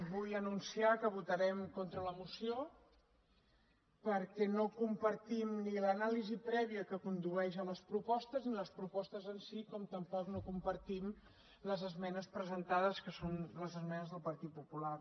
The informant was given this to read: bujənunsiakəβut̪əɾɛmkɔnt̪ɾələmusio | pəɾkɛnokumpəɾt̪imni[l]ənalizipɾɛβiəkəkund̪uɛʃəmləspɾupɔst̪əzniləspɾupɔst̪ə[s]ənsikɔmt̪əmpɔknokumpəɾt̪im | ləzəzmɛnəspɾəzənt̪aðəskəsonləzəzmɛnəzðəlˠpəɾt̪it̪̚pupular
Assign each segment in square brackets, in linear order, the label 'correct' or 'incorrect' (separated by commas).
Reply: correct, incorrect